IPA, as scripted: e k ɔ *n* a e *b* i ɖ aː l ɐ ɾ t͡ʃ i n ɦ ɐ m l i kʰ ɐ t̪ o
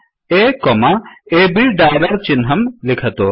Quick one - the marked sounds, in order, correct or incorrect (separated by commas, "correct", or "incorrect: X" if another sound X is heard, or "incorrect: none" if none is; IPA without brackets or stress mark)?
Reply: incorrect: m, correct